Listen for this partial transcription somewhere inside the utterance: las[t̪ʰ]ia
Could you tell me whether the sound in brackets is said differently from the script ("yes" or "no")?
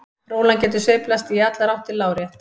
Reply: yes